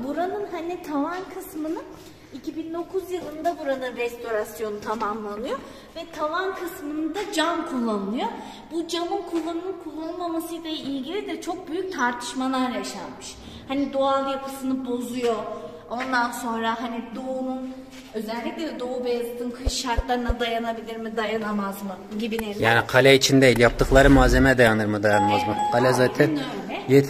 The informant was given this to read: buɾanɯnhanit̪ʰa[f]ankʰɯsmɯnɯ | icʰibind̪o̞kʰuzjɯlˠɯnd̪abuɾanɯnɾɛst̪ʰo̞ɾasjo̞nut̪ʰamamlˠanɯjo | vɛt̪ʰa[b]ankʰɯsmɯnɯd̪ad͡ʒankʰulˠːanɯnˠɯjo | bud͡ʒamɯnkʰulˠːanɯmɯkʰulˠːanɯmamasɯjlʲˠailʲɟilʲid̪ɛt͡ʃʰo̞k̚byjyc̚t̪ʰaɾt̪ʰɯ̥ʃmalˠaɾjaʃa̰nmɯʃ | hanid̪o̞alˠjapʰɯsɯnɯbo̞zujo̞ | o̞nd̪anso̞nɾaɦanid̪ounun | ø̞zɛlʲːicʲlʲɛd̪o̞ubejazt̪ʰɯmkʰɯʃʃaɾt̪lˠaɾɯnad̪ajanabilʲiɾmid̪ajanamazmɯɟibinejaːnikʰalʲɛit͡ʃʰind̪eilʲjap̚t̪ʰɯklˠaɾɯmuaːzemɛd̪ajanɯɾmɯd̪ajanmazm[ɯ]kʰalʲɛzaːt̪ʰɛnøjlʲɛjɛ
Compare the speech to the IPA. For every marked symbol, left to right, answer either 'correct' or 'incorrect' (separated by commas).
incorrect, incorrect, correct